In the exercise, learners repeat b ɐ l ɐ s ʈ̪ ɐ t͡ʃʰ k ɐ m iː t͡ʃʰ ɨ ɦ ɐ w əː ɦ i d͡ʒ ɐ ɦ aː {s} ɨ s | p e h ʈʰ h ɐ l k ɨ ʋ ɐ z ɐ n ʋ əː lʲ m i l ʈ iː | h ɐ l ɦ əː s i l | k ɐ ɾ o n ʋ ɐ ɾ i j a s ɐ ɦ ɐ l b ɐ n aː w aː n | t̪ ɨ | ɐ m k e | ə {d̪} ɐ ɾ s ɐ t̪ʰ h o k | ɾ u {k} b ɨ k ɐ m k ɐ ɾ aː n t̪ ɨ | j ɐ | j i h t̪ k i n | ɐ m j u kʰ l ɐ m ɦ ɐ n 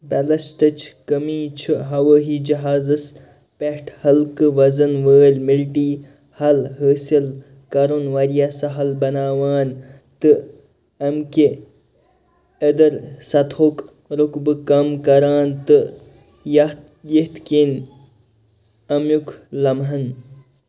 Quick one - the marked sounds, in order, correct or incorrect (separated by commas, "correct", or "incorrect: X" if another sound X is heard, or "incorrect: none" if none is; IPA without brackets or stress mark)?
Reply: incorrect: z, correct, correct